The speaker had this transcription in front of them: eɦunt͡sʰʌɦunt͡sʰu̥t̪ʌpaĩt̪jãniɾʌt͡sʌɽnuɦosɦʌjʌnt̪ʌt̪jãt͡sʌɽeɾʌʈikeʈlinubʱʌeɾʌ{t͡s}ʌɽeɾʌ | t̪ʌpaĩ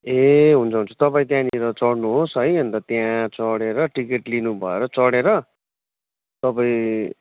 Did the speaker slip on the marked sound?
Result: no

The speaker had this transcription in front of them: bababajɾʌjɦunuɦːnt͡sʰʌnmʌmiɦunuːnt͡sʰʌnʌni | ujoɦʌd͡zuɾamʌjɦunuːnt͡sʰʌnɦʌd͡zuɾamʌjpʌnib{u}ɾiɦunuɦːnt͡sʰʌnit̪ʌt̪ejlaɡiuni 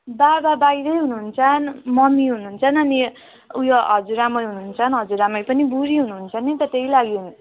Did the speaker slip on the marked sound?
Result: no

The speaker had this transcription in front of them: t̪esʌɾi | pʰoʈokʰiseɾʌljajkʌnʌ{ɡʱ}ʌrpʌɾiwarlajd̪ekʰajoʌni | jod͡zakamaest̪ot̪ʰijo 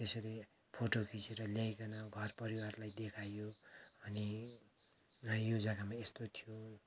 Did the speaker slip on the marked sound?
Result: no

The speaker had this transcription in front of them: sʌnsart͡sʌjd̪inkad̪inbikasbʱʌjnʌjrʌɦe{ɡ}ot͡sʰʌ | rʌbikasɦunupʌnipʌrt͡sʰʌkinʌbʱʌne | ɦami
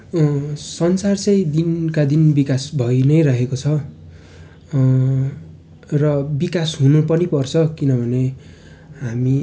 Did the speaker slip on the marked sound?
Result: yes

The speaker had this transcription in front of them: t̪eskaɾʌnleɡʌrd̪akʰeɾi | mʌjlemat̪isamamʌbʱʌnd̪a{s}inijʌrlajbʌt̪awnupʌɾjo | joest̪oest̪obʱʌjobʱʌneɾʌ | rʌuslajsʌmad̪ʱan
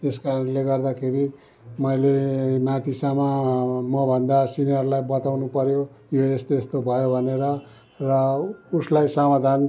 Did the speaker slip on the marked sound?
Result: no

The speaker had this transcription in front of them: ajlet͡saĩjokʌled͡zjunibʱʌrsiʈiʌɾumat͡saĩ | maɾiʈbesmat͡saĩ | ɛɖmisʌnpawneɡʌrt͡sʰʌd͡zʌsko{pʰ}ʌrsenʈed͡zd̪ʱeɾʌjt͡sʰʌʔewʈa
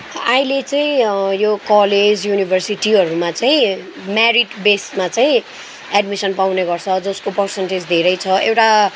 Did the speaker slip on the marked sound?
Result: yes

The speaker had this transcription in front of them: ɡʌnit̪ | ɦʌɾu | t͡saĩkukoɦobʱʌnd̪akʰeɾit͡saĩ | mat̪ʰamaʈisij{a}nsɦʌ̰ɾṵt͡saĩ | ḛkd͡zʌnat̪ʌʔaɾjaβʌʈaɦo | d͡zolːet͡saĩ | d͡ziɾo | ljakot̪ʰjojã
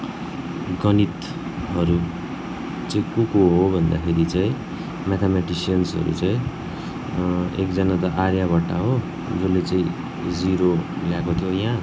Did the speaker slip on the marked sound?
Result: yes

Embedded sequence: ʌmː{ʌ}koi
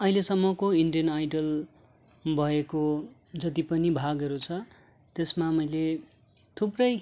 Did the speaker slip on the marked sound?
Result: no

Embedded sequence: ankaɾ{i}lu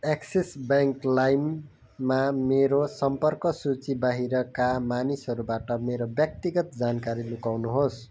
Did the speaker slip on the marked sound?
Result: no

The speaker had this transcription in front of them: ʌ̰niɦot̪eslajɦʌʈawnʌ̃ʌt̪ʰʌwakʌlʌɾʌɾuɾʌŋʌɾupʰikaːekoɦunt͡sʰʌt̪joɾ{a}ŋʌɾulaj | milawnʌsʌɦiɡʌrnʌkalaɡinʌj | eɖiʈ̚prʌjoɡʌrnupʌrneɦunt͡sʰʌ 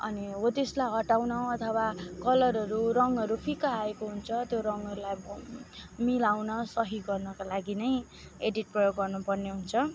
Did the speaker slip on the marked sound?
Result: yes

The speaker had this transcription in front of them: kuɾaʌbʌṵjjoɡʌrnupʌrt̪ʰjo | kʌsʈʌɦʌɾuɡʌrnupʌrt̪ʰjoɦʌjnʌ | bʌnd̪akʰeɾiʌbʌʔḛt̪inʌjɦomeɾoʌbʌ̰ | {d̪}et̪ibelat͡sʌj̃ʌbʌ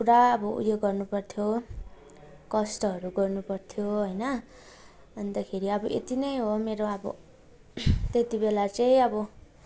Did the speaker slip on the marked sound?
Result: yes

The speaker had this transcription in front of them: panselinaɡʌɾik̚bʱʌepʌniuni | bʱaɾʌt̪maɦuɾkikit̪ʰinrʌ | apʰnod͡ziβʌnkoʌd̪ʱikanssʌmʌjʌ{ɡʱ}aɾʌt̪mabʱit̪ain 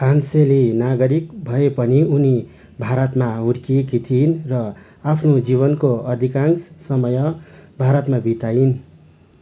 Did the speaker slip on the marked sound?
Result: yes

